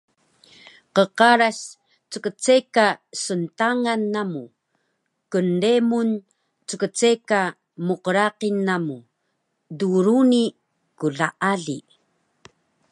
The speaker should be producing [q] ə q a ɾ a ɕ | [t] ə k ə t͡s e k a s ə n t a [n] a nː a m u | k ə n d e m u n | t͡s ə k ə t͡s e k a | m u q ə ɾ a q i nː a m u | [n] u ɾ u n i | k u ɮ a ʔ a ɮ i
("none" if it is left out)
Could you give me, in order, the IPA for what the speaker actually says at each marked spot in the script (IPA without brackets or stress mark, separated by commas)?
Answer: q, t͡s, ŋ, d